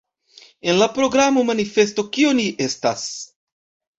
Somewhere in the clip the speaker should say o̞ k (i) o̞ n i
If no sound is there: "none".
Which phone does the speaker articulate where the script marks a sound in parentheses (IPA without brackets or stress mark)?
i